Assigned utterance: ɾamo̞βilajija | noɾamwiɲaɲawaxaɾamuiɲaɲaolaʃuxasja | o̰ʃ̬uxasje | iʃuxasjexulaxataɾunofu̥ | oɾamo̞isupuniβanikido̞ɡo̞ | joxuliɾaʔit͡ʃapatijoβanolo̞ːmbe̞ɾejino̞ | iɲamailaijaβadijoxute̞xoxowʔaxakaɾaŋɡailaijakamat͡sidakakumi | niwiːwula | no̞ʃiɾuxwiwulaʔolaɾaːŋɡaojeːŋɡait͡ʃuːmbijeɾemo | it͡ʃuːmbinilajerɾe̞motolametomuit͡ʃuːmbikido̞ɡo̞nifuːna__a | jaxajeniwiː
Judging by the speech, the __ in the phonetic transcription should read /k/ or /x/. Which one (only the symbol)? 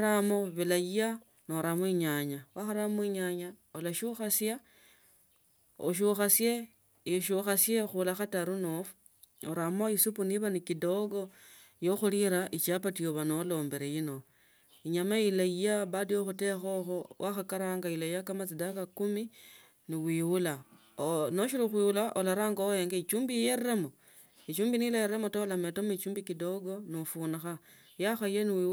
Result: x